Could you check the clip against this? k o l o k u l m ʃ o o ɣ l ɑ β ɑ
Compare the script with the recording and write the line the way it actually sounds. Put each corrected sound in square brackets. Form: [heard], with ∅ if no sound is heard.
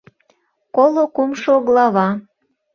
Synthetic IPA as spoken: k o l o k u [∅] m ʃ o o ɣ l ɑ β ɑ